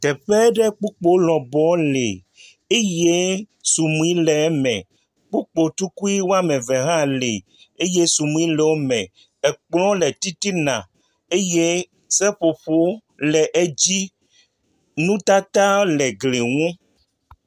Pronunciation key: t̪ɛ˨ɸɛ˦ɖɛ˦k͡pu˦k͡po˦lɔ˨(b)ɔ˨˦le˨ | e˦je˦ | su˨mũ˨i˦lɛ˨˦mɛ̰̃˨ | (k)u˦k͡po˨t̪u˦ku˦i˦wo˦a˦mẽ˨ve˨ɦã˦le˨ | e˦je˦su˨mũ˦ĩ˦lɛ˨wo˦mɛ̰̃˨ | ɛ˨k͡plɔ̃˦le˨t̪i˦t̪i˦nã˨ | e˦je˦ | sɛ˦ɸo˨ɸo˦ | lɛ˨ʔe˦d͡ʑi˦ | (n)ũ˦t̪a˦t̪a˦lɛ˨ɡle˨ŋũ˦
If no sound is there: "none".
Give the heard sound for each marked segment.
b, k͡p, n

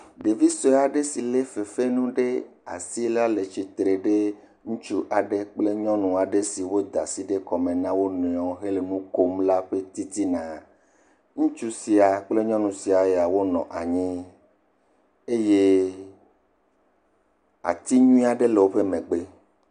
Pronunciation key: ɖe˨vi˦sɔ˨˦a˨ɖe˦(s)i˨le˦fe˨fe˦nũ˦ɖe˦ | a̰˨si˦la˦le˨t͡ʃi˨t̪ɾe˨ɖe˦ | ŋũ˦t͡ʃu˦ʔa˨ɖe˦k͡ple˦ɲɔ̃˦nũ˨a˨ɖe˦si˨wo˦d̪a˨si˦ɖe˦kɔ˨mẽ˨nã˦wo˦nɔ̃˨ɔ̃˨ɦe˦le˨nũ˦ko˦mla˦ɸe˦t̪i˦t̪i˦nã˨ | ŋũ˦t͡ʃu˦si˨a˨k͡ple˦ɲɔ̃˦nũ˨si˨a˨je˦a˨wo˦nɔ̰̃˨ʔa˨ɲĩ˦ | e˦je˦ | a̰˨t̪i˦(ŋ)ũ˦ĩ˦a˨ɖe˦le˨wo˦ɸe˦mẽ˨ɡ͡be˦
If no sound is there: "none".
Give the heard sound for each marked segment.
s, ɲ

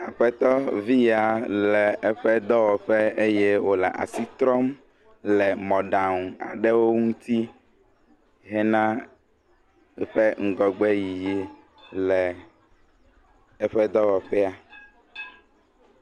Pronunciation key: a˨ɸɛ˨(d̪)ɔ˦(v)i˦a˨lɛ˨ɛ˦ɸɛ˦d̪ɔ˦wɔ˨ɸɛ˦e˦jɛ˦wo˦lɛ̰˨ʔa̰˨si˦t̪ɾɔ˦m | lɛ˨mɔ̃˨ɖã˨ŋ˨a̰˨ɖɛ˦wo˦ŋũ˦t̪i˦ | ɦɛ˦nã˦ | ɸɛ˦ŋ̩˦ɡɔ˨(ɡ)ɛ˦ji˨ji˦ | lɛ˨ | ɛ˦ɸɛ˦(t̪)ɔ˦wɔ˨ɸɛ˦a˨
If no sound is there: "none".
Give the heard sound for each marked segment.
t̪, v, ɡ͡b, d̪

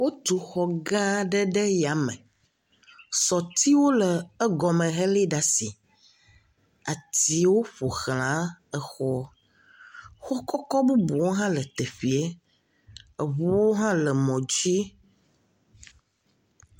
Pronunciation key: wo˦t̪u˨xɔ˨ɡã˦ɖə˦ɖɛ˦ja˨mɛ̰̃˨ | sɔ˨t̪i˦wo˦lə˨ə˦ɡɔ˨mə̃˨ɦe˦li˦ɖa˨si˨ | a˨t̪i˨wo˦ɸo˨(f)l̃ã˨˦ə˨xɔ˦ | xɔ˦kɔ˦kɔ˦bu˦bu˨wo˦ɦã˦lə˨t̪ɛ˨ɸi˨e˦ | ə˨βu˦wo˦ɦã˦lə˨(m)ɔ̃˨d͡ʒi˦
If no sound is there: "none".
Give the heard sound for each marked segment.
x, m

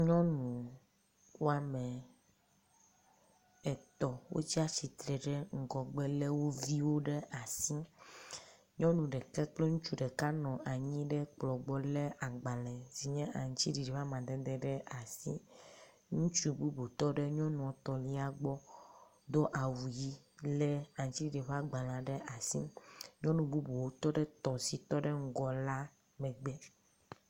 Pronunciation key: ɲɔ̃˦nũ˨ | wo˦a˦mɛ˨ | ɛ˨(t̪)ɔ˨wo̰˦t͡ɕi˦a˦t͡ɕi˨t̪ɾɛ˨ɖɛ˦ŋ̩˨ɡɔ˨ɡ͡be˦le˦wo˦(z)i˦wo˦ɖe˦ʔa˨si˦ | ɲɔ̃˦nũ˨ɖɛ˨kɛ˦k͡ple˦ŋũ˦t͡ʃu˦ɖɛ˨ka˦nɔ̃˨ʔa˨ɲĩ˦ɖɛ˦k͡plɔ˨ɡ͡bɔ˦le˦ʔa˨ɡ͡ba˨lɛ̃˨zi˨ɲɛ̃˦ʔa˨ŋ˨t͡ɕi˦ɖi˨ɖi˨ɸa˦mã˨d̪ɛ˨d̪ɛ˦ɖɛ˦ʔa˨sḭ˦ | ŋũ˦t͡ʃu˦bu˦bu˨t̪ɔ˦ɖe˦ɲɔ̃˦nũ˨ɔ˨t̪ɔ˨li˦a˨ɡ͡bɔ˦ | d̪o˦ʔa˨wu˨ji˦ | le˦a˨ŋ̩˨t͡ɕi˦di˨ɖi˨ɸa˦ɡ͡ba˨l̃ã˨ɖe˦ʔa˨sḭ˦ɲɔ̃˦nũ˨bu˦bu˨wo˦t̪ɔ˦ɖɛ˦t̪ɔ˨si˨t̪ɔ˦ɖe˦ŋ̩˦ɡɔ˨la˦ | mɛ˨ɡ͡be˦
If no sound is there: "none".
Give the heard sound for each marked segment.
t̪, v

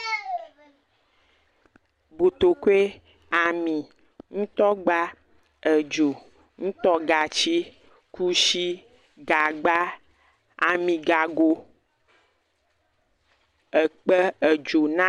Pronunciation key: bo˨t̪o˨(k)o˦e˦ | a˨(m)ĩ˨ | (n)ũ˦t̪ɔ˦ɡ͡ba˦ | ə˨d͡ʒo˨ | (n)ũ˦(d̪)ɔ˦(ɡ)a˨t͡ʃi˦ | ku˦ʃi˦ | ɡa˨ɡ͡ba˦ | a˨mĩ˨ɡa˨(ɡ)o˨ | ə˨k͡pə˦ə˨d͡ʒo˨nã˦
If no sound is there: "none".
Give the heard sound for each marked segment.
k, m, ŋ, ŋ, t̪, ɡ, ɡ

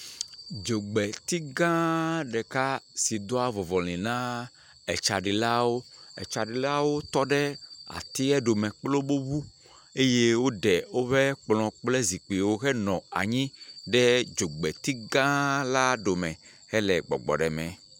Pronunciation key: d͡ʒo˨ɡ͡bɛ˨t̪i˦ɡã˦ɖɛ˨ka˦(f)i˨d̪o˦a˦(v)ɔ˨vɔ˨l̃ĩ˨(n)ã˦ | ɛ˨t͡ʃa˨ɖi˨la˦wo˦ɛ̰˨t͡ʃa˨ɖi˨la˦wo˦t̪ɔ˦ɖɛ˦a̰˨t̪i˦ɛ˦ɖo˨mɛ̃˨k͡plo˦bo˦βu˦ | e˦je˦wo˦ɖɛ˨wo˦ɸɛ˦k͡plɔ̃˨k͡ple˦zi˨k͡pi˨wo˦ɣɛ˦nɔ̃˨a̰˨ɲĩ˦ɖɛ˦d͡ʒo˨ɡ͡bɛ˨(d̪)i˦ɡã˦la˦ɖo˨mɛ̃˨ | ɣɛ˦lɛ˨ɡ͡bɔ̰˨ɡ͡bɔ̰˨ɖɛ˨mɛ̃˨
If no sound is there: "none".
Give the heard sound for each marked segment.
s, v, n, t̪

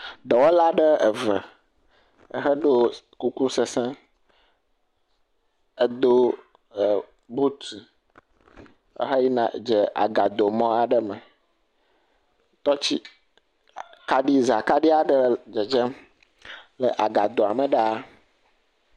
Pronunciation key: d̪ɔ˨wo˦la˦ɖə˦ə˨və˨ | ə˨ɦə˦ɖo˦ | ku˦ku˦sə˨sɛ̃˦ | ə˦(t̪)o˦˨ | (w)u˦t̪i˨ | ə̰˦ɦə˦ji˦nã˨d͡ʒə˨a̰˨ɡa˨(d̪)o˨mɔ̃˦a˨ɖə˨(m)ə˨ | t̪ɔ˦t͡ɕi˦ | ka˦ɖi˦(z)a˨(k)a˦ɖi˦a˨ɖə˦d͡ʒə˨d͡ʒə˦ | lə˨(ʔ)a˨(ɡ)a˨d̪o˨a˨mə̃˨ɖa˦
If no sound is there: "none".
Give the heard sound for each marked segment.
d̪, b, d̪, m, z, k, ʔ, ɡ

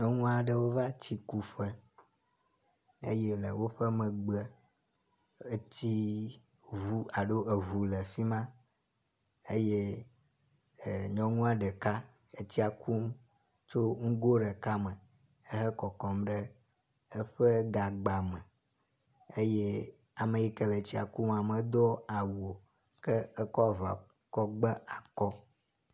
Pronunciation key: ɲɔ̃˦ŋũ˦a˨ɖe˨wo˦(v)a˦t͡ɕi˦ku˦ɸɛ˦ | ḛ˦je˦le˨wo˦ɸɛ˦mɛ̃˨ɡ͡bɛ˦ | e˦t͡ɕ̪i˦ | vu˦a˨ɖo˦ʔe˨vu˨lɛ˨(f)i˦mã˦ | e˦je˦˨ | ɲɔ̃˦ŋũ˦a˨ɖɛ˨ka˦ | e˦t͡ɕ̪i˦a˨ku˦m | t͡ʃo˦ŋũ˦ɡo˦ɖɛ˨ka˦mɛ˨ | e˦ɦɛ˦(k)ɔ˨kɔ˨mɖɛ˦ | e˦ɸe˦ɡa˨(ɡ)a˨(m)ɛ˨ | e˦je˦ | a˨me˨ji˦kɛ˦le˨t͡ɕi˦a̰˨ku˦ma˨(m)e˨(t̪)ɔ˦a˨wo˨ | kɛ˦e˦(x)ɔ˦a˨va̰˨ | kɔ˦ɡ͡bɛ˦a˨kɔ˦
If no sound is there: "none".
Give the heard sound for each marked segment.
v, f, k, ɡ͡b, m, m, d̪, k

